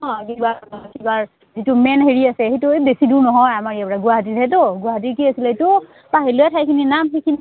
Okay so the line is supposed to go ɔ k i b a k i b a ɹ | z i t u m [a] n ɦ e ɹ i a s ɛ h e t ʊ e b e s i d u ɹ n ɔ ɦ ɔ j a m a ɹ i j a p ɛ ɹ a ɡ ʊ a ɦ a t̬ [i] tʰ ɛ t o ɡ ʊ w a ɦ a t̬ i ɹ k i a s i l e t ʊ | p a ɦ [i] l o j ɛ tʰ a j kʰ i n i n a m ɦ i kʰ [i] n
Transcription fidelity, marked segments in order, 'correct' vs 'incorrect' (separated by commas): incorrect, correct, correct, correct